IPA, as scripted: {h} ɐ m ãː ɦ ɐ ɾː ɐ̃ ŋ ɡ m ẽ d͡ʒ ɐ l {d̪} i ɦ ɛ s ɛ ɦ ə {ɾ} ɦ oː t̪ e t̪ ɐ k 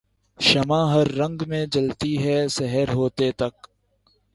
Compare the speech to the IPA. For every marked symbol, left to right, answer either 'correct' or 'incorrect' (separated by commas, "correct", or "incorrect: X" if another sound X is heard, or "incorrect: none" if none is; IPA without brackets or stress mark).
incorrect: ʃ, incorrect: t̪, correct